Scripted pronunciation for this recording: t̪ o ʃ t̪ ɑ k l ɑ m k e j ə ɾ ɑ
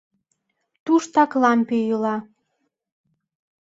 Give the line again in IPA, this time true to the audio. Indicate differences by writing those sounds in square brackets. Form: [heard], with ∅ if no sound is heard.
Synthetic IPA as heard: t̪ [u] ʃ t̪ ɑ k l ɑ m [p] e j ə [l] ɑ